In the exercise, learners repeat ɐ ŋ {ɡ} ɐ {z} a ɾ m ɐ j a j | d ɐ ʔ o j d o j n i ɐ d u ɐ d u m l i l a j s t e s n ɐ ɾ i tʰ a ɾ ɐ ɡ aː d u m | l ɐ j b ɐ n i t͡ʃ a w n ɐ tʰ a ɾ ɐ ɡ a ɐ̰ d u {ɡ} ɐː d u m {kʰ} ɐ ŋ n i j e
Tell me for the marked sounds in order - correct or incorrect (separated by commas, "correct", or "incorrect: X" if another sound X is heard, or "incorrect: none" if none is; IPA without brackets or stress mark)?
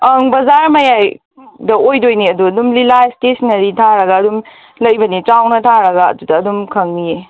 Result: incorrect: b, correct, incorrect: d, correct